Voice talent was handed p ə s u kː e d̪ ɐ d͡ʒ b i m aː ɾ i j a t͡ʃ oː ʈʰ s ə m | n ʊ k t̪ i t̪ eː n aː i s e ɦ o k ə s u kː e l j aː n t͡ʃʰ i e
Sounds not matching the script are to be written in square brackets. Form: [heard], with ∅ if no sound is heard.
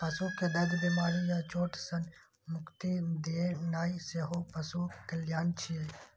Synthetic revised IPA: p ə s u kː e d̪ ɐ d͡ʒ b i m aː ɾ i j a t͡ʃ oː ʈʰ s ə [n] | [m] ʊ k t̪ i [d̪] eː n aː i s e ɦ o [p] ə s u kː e l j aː n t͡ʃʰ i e